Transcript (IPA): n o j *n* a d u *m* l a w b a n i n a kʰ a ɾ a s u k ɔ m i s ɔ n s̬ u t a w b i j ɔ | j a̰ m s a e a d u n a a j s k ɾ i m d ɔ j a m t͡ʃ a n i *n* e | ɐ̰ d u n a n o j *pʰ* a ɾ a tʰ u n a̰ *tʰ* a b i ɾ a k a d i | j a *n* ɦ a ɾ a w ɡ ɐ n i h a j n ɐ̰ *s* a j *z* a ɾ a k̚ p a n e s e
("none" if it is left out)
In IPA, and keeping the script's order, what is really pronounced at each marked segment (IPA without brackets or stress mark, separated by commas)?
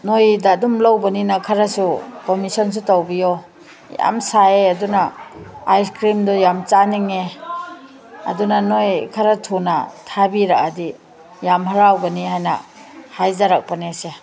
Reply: d, m, ŋ, kʰ, tʰ, m, h, z